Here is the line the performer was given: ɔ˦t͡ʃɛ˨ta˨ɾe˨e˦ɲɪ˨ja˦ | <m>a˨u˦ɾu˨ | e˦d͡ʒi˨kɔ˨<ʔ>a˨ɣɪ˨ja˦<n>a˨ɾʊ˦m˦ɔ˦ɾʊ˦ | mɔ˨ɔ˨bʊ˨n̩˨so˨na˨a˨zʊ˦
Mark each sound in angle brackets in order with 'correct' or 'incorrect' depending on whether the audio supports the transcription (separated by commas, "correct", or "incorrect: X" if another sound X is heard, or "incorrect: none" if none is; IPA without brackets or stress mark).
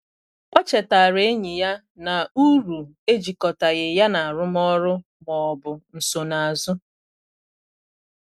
incorrect: n, incorrect: t, correct